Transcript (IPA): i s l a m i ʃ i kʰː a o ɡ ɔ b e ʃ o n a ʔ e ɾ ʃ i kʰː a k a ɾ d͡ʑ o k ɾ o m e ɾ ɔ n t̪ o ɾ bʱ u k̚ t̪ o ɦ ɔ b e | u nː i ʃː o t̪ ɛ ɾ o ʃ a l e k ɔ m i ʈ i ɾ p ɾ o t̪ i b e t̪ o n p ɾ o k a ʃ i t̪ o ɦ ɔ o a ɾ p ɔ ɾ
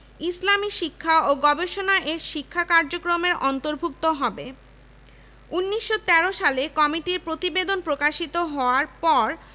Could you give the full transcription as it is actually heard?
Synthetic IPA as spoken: i s l a m i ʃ i kʰː a o ɡ ɔ b e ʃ o n a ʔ e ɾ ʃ i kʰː a k a ɾ d͡ʑ o k ɾ o m e ɾ ɔ n t̪ o ɾ bʱ u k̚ t̪ o ɦ ɔ b e | u nː i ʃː o t̪ ɛ ɾ o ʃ a l e k ɔ m i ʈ i ɾ p ɾ o t̪ i b e d̪ o n p ɾ o k a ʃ i t̪ o ɦ ɔ o a ɾ p ɔ ɾ